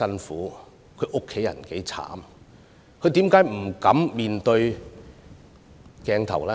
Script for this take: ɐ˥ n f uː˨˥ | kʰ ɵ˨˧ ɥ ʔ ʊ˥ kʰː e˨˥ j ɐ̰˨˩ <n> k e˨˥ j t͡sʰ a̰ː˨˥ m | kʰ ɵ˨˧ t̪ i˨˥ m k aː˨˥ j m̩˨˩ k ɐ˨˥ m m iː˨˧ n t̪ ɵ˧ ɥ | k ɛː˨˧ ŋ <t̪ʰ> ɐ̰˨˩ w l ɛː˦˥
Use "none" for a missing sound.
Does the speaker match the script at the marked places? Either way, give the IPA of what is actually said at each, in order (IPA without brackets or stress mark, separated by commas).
n, t̪ʰ